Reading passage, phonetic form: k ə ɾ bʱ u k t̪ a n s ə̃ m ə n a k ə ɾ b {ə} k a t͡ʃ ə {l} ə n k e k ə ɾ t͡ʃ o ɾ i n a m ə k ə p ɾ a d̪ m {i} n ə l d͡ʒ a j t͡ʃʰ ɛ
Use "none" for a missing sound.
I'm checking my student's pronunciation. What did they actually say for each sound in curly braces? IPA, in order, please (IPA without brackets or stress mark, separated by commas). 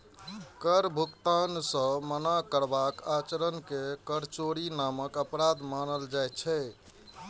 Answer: a, ɾ, a